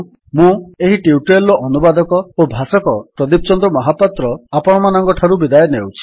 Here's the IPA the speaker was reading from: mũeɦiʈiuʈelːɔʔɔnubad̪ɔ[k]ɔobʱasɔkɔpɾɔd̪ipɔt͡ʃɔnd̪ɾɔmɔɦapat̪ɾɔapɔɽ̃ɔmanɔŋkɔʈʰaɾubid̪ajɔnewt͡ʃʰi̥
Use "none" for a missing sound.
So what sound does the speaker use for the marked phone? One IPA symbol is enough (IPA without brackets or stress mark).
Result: k